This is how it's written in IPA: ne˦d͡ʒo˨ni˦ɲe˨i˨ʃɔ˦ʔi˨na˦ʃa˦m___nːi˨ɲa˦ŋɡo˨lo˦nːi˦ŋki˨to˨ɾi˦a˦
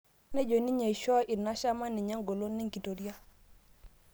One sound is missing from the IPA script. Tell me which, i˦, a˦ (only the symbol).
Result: a˦